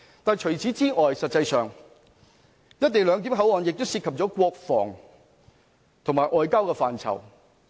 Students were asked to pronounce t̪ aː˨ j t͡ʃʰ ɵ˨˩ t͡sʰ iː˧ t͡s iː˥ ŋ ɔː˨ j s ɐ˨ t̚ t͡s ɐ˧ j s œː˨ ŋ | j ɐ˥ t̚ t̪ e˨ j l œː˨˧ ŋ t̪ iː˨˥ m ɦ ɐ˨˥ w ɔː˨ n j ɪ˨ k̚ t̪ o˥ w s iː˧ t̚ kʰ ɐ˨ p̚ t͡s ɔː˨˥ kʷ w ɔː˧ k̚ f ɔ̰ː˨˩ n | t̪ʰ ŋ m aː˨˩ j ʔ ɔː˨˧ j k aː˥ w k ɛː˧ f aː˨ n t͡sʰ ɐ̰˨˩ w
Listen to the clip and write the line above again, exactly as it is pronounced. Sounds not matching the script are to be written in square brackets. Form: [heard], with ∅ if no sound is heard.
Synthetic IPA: t̪ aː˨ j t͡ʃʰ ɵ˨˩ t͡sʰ [iː˨˥] t͡s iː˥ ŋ ɔː˨ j s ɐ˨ t̚ t͡s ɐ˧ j s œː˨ ŋ | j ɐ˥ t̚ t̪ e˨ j l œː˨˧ ŋ t̪ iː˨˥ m ɦ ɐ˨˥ w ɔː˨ n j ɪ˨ k̚ t̪ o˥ w s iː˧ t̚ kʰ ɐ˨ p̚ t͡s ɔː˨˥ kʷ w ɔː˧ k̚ f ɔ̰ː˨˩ [ŋ] | t̪ʰ ŋ m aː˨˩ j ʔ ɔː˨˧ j k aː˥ w k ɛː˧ f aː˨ n t͡sʰ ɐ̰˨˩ w